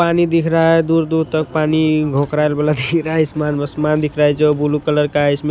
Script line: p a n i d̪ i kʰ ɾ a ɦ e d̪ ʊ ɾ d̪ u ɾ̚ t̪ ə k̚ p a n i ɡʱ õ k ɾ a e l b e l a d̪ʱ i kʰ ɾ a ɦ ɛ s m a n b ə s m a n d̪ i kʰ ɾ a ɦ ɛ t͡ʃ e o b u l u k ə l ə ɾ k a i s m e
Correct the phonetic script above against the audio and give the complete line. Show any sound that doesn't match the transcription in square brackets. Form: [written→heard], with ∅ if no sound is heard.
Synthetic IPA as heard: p a n i d̪ i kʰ ɾ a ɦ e d̪ [ʊ→u] ɾ d̪ u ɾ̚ t̪ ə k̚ p a n i ɡʱ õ k ɾ a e l b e l a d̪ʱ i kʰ ɾ a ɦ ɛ s m a n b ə s m a n d̪ i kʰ ɾ a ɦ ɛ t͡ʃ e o b u l u k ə l ə ɾ k a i s m e